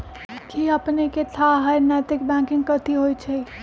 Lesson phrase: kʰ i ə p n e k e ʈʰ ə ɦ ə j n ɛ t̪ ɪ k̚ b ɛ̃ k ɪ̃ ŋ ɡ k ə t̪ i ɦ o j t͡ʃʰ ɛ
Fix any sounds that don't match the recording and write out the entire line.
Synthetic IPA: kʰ i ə p n e k e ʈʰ a ɦ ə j n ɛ t̪ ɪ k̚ b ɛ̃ k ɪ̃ ŋ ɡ k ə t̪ i ɦ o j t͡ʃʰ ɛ